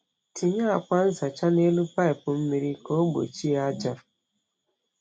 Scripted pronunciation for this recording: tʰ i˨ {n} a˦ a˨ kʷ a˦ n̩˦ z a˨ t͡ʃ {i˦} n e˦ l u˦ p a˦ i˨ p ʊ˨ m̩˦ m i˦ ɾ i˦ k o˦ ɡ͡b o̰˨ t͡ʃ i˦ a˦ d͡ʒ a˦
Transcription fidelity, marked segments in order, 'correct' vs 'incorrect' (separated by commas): incorrect, incorrect